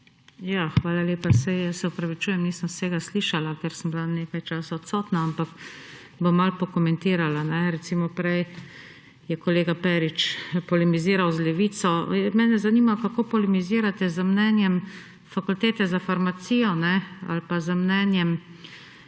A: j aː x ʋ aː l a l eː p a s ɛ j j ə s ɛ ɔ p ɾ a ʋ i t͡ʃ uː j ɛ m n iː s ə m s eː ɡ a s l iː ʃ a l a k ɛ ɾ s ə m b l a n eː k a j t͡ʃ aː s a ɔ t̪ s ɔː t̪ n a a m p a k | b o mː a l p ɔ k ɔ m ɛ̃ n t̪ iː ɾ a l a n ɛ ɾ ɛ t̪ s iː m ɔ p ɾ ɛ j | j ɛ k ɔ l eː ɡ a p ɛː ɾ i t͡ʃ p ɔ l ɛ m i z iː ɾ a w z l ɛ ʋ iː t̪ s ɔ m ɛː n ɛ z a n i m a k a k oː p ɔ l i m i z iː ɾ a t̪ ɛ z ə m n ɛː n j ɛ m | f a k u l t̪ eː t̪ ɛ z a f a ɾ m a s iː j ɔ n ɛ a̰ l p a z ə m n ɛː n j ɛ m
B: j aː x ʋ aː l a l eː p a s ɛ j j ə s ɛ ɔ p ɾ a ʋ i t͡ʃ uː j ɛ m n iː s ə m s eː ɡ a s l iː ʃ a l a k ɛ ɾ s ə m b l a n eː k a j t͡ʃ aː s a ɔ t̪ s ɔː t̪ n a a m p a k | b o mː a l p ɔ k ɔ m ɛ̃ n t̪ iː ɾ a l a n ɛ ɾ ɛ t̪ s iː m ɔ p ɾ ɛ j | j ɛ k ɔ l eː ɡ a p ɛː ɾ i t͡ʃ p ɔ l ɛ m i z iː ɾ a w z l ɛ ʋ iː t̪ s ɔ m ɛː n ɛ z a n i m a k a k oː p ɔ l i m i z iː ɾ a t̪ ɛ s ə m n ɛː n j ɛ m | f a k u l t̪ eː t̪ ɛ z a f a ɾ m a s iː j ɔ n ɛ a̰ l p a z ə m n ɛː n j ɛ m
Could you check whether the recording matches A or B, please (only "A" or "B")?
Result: A